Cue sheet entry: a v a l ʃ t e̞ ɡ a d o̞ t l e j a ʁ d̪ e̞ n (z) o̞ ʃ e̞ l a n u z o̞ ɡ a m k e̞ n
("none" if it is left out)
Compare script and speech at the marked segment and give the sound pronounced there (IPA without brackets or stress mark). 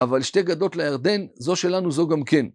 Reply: z